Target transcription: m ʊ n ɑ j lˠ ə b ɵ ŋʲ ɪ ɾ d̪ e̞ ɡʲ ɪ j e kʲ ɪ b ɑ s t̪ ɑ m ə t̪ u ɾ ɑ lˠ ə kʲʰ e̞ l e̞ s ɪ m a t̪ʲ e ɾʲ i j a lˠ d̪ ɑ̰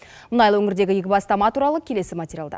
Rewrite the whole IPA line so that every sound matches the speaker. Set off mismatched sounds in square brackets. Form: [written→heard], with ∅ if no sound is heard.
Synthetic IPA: m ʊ n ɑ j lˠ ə [b→w] ɵ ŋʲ ɪ ɾ d̪ e̞ ɡʲ ɪ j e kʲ ɪ b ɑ s t̪ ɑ m [ə→ɑ] t̪ u ɾ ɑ lˠ ə kʲʰ e̞ l e̞ s ɪ m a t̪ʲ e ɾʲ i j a lˠ d̪ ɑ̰